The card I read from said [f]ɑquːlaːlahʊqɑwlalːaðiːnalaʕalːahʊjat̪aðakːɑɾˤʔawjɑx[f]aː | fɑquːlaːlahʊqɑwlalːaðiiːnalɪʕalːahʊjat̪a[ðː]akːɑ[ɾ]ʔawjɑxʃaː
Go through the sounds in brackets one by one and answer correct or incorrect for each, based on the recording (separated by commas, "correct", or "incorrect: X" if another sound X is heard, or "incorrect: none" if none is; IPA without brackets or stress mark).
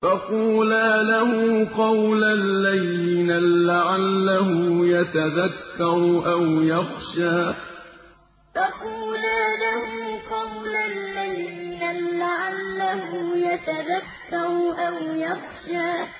correct, incorrect: ʃ, incorrect: ð, correct